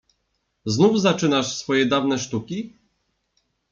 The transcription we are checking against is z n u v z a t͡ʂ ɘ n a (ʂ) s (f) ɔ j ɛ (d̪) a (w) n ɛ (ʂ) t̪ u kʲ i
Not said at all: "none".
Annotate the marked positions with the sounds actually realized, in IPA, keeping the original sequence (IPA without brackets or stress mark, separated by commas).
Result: ʂ, f, d̪, v, ʂ